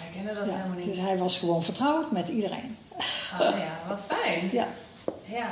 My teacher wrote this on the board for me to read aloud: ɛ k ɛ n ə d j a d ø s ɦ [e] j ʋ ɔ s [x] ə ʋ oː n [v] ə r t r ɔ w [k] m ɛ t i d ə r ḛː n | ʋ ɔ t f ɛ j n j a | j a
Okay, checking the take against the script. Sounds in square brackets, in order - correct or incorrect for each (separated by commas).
incorrect, correct, incorrect, incorrect